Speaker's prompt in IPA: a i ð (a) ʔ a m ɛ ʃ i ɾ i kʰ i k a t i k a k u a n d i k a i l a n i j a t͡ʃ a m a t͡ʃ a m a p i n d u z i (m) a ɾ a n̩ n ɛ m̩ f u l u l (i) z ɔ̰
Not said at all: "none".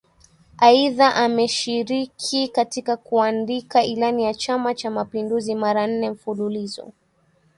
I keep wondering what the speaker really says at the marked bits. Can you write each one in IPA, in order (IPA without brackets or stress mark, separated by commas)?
a, m, i